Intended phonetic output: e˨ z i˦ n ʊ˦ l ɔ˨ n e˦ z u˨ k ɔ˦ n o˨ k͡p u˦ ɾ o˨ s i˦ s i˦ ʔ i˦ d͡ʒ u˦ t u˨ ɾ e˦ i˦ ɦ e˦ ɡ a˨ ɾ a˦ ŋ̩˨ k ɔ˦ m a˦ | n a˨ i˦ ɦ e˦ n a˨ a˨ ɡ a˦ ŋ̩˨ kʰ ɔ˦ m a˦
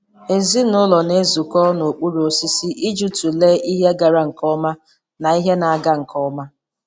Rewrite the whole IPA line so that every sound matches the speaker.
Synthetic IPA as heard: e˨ z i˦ n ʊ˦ l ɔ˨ n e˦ z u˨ k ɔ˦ n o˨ k͡p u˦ ɾ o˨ s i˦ s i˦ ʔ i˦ d͡ʒ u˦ t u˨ l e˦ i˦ ɦ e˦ ɡ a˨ ɾ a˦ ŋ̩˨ k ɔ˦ m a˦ | n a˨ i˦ ɦ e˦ n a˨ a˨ ɡ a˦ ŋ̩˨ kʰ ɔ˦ m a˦